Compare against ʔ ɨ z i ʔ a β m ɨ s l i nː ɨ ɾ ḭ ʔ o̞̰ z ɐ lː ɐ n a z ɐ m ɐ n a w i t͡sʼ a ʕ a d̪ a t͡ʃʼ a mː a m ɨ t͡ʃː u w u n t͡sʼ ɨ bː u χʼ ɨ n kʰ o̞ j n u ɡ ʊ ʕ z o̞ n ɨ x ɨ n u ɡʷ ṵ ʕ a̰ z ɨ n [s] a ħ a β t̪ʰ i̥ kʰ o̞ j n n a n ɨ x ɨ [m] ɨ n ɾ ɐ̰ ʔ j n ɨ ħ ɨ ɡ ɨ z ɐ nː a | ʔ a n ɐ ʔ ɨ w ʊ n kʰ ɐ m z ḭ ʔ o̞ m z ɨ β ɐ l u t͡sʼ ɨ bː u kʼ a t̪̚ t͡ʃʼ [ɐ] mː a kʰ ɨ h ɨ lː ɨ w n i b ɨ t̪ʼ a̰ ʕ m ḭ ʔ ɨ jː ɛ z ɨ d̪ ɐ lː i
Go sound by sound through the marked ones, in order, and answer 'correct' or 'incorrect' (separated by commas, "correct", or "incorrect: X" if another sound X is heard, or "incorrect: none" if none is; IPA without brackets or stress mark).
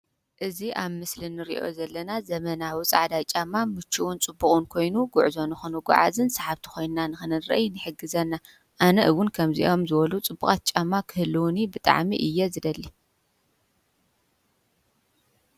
correct, incorrect: n, incorrect: a